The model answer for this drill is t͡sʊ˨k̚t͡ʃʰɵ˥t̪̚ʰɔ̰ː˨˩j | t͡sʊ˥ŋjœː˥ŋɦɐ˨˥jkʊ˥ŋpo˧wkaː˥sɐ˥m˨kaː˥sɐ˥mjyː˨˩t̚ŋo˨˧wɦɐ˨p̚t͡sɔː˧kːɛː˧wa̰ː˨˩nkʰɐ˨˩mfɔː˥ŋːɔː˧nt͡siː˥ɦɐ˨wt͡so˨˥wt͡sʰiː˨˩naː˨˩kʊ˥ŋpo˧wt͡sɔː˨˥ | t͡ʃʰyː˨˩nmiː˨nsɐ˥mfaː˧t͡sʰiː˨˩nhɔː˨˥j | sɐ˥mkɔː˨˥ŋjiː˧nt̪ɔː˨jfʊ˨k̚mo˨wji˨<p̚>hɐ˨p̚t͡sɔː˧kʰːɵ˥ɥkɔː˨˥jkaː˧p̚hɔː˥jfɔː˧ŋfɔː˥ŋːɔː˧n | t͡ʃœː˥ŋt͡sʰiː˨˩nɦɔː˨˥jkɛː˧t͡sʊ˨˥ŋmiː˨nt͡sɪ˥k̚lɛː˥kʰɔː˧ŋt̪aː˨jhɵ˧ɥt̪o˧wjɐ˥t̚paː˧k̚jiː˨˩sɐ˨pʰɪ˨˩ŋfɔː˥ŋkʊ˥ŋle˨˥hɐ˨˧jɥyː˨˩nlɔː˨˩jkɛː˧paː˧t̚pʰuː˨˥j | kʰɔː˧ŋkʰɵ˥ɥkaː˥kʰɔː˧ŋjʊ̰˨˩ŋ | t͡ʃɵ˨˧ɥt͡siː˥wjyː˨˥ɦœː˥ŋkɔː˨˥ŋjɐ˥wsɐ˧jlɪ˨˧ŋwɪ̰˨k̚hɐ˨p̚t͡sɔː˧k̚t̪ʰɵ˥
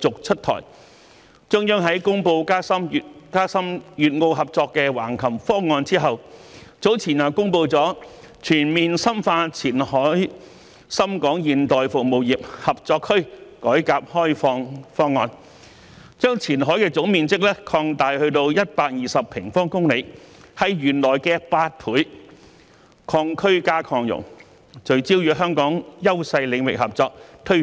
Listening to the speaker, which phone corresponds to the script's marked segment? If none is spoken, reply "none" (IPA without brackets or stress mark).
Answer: p̚